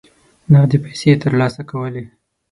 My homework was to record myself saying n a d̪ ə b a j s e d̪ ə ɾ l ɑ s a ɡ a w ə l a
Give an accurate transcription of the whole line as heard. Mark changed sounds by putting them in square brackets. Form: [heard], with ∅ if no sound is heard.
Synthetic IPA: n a d̪ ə [p] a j s e [t̪] ə ɾ l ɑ s a [k] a w ə l [e]